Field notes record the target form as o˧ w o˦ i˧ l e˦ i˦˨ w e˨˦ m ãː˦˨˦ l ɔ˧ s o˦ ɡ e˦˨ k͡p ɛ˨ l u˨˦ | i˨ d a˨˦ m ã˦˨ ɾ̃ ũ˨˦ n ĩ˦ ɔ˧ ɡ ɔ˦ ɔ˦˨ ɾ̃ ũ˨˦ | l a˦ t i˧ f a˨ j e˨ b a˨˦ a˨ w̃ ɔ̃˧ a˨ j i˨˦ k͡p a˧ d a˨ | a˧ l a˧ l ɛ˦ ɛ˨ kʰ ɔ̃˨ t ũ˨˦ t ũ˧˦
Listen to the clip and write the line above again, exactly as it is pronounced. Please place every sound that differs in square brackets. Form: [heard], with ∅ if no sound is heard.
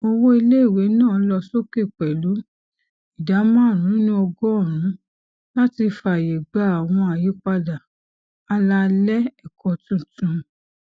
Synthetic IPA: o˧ w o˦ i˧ l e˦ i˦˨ w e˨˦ [n] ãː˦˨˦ l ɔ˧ s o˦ [k] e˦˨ k͡p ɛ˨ l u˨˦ | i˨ d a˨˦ m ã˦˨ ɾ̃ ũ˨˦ n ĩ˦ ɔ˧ ɡ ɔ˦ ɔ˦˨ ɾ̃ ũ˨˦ | l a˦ t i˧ f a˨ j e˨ [ɡ͡b] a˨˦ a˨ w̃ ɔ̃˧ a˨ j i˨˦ k͡p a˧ d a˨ | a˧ l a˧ l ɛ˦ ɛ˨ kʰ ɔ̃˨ t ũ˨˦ t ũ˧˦